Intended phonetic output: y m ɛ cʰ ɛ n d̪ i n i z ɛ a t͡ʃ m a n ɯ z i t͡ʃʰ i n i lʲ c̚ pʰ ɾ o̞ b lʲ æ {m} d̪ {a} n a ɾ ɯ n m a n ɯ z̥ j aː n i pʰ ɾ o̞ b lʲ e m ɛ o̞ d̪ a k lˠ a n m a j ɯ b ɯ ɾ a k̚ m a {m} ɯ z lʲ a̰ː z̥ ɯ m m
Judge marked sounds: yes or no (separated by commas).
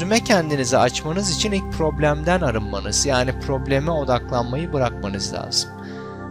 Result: yes, no, no